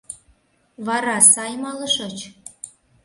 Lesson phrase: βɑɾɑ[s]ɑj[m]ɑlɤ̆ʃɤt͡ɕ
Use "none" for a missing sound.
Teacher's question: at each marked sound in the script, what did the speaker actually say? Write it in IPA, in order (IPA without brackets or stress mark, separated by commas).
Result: s, m